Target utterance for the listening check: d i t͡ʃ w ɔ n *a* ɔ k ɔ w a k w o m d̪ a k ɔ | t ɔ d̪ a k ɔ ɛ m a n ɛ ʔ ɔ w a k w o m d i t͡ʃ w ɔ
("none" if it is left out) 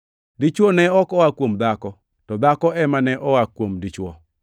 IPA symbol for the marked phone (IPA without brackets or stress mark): ɛ